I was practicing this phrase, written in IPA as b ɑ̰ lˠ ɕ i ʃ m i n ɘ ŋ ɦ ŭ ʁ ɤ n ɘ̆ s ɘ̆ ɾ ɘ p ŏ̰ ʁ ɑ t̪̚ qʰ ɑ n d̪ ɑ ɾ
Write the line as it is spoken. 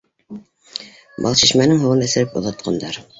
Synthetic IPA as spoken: b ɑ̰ lˠ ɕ i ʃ m æ n ɘ ŋ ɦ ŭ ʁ ɤ n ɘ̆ s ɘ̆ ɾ ɘ p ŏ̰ ð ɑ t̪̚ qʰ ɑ n d̪ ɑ ɾ